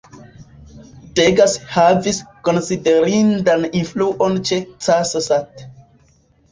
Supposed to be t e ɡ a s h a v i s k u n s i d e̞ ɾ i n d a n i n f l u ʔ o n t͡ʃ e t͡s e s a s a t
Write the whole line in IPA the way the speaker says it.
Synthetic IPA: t e ɡ a s h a v i s k o n s i d e̞ ɾ i n d a n i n f l u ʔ o n t͡ʃ e t͡s a s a s a t